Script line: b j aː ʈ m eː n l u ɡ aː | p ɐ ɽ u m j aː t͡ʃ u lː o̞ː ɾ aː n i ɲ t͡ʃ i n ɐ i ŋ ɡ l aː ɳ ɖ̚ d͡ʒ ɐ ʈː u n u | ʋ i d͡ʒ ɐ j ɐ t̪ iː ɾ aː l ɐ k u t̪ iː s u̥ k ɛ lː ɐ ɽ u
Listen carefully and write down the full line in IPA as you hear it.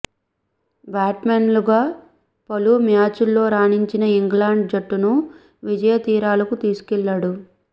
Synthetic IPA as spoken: b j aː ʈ m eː n l u ɡ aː | p ɐ l u m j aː t͡ʃ u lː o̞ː ɾ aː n i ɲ t͡ʃ i n ɐ i ŋ ɡ l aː ɳ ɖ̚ d͡ʒ ɐ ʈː u n u | ʋ i d͡ʒ ɐ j ɐ t̪ iː ɾ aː l ɐ k u t̪ iː s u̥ k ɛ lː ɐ ɽ u